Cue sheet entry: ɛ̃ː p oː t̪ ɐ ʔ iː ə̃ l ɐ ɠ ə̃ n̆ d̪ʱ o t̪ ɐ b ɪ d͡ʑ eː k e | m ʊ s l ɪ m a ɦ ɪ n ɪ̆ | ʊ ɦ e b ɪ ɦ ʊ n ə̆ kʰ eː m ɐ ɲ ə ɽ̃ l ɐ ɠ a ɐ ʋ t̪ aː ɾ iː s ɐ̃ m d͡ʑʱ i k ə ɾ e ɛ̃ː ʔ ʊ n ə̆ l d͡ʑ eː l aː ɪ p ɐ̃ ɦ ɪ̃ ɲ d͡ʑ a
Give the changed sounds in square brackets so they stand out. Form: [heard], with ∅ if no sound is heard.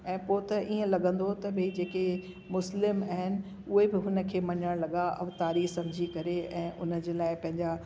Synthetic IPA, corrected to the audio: ɛ̃ː p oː t̪ ɐ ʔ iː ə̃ l ɐ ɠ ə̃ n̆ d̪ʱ o t̪ ɐ b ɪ d͡ʑ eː k e | m ʊ s l ɪ m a ɦ ɪ n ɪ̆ | ʊ ɦ e b ɪ ɦ ʊ n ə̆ kʰ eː m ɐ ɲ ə ɽ̃ l ɐ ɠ a ɐ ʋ t̪ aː ɾ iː s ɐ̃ m d͡ʑʱ i k [ɐ] ɾ e ɛ̃ː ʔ ʊ n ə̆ [∅] d͡ʑ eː l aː ɪ p ɐ̃ ɦ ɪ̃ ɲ d͡ʑ a